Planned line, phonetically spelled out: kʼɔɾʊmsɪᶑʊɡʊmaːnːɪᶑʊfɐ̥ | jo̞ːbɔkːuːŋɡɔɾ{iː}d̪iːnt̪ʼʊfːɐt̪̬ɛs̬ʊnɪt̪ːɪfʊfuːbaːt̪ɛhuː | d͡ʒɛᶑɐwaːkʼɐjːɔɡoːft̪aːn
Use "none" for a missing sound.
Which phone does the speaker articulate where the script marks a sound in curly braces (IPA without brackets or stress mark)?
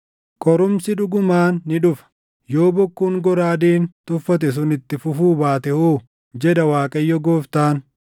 aː